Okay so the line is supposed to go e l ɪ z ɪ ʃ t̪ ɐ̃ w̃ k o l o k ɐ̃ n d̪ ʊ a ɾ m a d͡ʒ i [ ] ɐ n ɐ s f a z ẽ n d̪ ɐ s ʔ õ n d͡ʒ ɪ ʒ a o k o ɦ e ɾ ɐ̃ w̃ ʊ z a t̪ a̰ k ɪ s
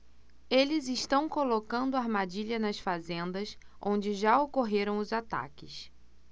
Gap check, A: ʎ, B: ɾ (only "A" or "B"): A